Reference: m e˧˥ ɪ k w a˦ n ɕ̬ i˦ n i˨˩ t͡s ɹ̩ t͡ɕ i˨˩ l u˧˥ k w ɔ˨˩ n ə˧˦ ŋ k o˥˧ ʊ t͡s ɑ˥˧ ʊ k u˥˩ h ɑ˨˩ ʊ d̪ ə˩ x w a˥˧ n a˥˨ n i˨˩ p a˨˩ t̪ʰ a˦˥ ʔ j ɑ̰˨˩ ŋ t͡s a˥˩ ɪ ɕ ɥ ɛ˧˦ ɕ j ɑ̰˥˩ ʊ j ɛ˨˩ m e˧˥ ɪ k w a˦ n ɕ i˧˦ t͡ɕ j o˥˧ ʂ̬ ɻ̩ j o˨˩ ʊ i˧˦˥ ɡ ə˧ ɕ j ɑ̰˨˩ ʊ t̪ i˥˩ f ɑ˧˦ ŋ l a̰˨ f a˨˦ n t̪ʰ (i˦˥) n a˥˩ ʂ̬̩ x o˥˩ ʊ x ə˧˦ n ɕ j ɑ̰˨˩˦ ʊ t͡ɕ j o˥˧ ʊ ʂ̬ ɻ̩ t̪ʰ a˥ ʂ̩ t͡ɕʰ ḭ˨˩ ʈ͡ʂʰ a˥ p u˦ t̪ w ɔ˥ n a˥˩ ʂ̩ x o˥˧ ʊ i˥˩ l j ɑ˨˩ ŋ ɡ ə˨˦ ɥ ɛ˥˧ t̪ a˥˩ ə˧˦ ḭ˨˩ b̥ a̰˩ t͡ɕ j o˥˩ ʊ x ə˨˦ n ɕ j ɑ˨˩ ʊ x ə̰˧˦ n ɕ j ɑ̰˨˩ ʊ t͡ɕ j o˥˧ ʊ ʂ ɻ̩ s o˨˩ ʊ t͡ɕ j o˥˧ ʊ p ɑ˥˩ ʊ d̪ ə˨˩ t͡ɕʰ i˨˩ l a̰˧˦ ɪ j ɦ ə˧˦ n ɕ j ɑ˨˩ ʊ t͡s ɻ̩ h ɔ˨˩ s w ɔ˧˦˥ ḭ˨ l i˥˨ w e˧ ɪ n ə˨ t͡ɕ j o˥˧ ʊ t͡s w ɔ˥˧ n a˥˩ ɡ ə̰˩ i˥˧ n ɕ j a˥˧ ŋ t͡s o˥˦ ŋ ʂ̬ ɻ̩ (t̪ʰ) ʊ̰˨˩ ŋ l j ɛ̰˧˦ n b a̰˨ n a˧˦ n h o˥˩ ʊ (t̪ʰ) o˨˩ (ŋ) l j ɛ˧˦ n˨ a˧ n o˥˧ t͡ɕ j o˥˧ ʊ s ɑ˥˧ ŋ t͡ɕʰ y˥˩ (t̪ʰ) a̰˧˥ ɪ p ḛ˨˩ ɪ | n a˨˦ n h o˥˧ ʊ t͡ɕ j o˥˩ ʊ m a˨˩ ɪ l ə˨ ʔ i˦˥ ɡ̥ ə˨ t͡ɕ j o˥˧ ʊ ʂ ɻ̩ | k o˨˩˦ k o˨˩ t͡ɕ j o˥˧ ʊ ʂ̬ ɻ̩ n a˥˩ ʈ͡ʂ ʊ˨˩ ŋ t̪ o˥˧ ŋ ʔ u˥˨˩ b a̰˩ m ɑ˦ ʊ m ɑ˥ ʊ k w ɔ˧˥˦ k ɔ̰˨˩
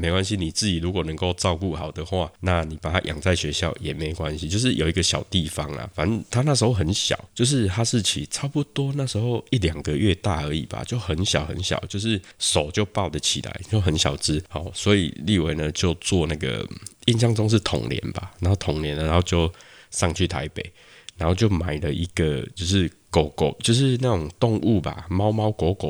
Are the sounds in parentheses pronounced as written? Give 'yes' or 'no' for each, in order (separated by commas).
no, yes, yes, yes, yes